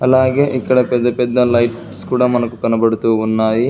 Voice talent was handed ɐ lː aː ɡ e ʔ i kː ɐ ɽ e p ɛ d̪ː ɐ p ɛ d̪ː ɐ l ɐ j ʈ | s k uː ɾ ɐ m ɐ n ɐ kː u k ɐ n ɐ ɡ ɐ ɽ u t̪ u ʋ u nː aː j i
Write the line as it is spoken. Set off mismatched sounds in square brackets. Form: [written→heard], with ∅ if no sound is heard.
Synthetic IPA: ɐ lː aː ɡ e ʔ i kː ɐ ɽ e p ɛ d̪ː ɐ p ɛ d̪ː ɐ l ɐ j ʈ | s k uː [ɾ→ɽ] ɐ m ɐ n ɐ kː u k ɐ n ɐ [ɡ→b] ɐ ɽ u t̪ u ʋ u nː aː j i